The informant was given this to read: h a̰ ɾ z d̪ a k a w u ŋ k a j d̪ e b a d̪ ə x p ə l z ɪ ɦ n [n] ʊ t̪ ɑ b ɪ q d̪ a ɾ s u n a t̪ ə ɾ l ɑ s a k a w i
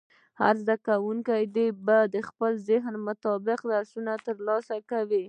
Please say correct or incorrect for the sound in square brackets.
incorrect